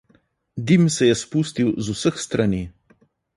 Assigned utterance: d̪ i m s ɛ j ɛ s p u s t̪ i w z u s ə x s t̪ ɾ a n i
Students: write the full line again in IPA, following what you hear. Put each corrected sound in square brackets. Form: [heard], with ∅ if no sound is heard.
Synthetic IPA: d̪ i m s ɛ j ɛ s p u s t̪ i w z u s ə x s t̪ ɾ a n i